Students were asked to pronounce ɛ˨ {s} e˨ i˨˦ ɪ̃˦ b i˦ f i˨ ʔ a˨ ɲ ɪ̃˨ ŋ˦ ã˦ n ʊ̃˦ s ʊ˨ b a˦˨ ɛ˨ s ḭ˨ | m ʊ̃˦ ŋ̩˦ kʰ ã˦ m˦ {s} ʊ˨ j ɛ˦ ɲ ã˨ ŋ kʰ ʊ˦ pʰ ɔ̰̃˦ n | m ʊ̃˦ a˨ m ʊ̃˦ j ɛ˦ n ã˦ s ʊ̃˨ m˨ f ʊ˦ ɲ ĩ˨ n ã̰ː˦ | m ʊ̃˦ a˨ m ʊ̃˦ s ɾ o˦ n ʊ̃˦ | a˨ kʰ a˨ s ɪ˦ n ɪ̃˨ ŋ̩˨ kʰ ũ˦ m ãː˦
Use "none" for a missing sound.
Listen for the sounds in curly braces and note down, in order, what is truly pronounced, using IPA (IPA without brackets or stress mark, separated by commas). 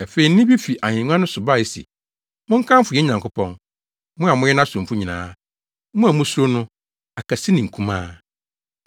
f, f